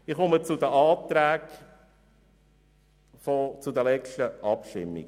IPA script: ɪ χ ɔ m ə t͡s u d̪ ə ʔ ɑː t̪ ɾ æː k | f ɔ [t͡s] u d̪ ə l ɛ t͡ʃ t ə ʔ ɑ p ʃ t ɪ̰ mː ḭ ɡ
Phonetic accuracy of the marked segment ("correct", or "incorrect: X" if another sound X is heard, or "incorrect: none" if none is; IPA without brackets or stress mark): correct